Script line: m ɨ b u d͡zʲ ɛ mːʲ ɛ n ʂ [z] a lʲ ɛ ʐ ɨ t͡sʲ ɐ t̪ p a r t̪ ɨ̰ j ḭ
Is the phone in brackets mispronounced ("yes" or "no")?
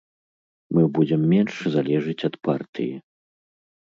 no